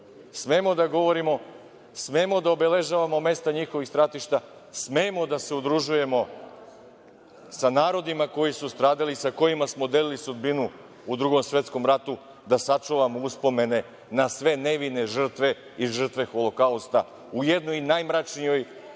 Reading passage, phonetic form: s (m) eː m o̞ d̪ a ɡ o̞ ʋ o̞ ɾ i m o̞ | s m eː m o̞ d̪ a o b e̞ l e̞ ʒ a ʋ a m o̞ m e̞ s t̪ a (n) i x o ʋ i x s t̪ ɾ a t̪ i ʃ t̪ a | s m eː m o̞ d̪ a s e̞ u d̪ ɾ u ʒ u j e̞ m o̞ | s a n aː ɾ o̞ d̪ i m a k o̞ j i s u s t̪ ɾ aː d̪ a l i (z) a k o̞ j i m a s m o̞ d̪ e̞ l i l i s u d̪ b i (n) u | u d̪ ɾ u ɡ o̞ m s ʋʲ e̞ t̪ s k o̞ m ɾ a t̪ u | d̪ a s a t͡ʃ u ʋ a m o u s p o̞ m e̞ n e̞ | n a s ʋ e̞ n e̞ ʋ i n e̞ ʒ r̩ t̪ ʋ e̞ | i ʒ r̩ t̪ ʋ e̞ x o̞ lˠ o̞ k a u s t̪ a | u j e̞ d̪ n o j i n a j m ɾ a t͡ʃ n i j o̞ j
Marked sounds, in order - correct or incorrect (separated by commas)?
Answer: correct, incorrect, incorrect, correct